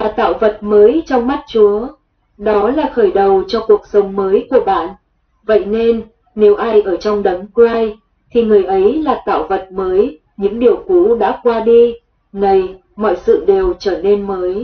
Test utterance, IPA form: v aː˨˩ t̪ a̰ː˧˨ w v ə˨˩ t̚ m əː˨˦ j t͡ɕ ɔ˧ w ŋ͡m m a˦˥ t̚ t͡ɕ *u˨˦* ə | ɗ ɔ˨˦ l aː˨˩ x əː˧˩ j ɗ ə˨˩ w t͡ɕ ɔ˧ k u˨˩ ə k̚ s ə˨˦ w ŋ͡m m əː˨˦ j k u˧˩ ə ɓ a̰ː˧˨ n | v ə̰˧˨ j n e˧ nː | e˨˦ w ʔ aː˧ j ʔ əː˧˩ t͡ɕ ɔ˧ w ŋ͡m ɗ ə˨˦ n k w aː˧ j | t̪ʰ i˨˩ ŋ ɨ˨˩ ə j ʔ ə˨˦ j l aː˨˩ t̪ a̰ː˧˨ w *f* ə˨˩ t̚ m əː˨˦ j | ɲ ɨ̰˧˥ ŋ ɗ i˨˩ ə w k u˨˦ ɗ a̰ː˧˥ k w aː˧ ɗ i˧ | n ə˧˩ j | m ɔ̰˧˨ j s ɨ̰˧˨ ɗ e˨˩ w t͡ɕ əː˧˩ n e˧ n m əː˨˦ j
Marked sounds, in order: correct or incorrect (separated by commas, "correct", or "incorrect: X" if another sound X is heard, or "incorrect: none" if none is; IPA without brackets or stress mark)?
correct, incorrect: v